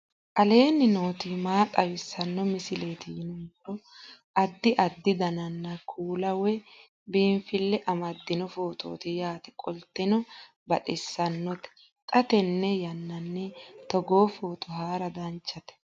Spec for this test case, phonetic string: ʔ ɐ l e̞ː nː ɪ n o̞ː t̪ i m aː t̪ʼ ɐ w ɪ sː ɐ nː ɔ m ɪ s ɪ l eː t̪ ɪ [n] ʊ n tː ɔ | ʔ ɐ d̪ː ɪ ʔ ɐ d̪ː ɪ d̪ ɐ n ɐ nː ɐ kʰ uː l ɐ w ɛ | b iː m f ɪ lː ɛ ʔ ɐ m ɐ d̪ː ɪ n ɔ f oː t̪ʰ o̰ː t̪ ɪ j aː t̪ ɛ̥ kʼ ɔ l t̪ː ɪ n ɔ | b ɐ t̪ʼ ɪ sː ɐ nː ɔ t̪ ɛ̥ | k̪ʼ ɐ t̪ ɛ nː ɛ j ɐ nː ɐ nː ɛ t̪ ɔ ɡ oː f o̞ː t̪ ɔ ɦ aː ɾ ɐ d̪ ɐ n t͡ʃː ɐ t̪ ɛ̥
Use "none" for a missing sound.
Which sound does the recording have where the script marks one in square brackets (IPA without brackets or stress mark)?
n